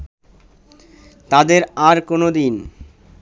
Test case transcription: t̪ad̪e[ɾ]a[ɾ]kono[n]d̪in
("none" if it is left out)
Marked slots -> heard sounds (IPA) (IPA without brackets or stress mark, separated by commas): ɾ, ɾ, none